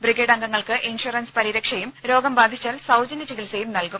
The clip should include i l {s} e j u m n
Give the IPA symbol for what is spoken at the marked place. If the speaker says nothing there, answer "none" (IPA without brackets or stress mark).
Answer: s